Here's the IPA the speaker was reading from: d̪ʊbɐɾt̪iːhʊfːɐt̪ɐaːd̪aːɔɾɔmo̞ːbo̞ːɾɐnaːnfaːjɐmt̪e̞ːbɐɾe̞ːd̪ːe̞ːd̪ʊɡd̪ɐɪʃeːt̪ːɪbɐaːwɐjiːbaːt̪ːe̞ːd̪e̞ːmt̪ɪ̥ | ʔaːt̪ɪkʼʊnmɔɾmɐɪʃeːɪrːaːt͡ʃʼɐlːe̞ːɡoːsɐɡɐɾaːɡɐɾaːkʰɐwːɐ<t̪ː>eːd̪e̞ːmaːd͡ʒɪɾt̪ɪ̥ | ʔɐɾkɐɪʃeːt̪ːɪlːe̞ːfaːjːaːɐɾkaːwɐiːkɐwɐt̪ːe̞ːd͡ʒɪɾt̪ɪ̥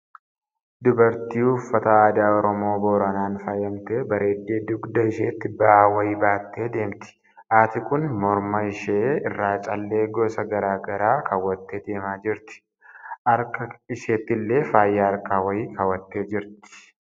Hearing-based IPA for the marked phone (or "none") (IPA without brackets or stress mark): t̪ː